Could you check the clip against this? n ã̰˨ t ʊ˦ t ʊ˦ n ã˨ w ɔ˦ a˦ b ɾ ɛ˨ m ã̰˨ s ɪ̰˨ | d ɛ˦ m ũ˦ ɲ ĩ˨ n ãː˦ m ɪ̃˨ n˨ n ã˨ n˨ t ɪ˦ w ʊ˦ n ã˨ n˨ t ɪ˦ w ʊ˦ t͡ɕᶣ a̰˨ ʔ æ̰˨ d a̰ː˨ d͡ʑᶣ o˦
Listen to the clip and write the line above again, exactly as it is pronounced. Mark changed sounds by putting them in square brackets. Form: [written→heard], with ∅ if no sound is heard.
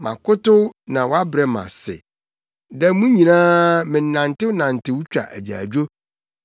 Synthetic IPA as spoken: [n→m] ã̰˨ [t→k] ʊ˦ t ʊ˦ n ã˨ w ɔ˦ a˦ b ɾ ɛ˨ m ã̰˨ s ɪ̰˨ | d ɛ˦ m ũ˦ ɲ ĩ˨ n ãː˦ m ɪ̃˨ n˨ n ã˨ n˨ t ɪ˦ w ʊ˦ n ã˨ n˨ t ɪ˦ w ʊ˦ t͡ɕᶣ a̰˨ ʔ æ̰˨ [d→d͡ʑ] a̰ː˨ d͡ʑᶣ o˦